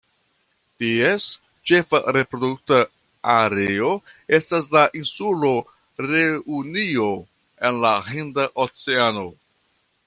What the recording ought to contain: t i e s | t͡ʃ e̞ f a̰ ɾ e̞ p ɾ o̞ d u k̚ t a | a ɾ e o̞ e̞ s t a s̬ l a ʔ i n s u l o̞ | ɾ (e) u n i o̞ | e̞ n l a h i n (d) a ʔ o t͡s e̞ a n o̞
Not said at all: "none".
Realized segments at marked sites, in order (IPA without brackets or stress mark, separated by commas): e, d